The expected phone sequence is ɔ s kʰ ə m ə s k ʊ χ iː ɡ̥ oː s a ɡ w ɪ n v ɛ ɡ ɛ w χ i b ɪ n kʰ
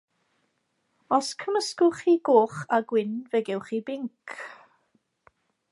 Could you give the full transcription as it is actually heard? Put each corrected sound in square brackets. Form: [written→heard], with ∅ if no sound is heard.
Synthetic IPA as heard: ɔ s kʰ ə m ə s k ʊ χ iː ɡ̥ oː [s→χ] a ɡ w ɪ n v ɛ ɡ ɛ w χ i b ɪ [n→ŋ] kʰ